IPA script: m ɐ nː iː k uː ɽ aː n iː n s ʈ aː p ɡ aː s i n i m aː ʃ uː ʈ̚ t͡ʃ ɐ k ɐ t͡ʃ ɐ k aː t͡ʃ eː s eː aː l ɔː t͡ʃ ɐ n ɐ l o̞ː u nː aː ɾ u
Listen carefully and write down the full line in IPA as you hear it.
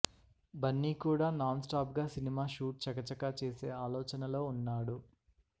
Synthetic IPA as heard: b ɐ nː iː k uː ɽ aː n aː n s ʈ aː p ɡ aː s i n i m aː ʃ uː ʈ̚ t͡ʃ ɐ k ɐ t͡ʃ ɐ k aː t͡ʃ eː s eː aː l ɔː t͡ʃ ɐ n ɐ l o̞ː u nː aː ɽ u